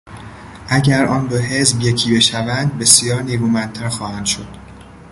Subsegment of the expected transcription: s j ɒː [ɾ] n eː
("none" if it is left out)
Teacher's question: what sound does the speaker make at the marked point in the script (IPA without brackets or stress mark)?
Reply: ɾ